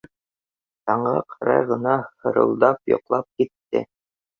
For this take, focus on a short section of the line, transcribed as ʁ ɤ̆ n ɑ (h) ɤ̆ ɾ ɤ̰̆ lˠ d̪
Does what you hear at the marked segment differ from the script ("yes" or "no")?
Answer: no